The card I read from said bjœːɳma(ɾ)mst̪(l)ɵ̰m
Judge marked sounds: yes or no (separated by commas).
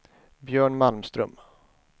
no, no